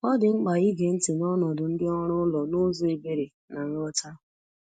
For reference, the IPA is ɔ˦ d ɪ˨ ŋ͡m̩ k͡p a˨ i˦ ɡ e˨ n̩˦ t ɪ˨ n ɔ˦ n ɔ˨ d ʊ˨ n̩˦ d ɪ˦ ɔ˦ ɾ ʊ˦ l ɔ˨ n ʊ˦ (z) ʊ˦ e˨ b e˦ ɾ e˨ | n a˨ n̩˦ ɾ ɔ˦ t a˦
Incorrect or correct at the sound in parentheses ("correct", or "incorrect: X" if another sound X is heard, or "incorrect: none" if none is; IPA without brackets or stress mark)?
correct